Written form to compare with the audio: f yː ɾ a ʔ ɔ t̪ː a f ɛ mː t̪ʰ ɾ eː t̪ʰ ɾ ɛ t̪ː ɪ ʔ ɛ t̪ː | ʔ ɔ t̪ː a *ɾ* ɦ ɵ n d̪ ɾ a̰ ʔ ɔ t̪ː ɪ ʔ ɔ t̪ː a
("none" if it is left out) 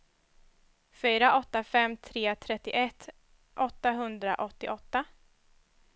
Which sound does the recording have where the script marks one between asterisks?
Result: none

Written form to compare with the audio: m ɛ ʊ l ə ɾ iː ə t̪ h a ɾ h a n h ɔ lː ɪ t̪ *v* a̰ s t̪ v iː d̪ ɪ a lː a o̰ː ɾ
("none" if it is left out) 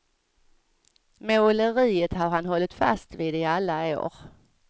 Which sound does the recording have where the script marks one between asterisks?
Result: f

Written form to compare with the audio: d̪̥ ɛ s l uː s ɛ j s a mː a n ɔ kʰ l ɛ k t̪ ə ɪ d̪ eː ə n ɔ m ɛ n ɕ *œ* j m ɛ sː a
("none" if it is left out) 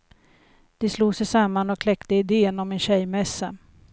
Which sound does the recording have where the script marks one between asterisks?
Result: ɛ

